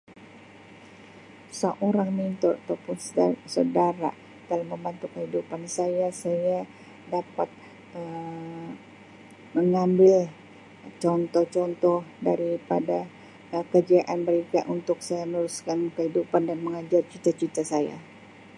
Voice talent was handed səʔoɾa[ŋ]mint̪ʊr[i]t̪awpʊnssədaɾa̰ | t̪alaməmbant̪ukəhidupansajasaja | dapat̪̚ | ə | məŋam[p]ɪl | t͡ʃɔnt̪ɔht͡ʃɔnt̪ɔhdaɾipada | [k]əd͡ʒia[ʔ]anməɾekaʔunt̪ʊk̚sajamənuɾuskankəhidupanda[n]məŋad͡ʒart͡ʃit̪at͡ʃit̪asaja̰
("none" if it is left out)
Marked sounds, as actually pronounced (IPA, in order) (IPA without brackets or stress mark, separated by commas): ŋ, a, b, k, ʔ, n